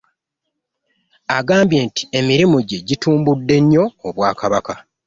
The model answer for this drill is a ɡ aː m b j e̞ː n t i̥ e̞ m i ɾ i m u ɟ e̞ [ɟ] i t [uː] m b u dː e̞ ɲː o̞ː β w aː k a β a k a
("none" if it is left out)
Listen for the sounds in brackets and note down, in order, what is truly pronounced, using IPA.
ɟ, uː

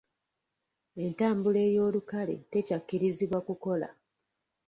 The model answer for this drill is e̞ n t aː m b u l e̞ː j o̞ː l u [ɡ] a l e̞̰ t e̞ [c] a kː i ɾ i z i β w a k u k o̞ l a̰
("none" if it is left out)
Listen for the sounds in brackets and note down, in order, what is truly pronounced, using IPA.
k, c

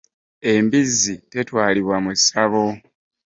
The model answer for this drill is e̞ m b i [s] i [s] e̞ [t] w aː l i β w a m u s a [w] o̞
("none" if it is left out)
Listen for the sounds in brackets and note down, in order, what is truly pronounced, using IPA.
z, t, t, β

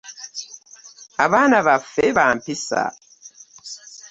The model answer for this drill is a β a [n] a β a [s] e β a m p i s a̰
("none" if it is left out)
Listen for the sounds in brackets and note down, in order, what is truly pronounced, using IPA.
n, f

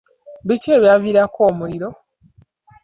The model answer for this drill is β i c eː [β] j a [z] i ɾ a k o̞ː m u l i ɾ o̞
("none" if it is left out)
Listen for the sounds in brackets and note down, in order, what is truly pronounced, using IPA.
β, v

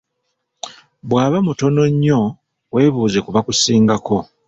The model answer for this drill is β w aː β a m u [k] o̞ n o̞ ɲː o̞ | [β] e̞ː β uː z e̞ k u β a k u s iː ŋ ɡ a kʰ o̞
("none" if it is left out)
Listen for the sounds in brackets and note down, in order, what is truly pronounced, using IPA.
t, w

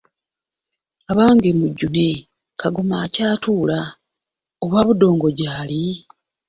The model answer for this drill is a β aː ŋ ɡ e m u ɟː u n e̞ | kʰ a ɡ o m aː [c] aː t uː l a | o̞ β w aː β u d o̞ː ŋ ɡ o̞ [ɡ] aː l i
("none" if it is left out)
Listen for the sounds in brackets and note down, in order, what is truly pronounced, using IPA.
c, ɟ

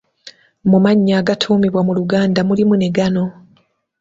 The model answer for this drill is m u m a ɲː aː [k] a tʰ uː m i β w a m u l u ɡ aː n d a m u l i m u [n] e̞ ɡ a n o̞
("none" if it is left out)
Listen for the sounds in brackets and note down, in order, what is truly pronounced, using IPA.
ɡ, n

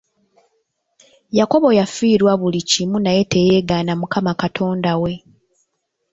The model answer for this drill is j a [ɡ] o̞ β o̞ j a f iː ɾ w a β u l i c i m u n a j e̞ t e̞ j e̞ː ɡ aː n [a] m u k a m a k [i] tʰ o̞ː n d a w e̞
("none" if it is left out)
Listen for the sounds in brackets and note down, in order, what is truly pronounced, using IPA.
k, a, a

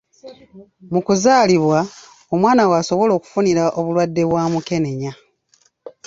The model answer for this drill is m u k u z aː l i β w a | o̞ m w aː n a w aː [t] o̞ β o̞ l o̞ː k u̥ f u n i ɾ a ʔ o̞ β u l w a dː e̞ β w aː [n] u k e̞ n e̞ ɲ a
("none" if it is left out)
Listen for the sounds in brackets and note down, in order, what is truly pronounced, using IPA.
s, m

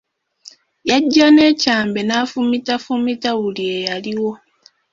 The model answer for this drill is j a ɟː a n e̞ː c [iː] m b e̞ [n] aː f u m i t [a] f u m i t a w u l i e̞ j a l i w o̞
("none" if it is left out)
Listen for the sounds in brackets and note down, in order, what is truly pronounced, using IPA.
aː, n, a

